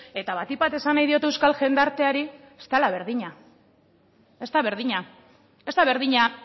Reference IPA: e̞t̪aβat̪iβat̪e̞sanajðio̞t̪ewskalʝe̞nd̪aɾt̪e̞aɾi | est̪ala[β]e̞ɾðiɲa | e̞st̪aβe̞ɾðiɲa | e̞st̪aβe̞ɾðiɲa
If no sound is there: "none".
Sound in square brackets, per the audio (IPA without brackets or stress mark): β